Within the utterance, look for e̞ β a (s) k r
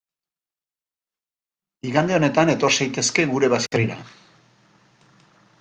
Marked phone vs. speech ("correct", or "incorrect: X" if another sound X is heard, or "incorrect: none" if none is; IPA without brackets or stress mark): correct